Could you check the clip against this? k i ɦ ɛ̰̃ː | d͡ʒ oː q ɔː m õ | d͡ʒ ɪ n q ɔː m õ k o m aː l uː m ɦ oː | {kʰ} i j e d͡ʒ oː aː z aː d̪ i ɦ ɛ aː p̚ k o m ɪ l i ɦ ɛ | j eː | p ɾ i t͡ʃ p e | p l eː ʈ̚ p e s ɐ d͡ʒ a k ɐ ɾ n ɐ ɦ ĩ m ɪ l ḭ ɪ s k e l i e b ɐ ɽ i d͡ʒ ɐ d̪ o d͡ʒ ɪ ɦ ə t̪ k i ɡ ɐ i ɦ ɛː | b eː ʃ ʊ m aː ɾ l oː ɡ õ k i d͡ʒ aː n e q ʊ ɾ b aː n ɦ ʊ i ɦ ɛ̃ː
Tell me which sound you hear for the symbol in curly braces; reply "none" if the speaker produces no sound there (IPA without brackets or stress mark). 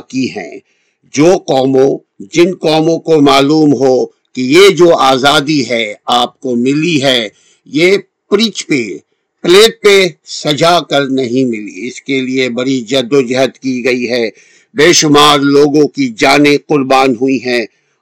k